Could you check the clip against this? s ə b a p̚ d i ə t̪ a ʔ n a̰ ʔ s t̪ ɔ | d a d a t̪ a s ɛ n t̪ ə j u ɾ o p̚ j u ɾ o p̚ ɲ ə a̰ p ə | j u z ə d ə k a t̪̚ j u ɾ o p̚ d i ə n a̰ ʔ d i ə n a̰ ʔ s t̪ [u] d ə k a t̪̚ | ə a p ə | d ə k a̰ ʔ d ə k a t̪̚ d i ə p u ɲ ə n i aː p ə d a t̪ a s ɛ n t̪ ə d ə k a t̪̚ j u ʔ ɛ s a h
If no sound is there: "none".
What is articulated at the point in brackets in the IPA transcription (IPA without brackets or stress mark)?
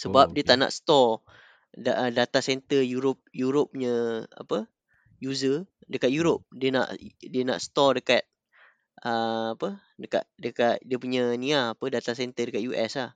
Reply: ɔ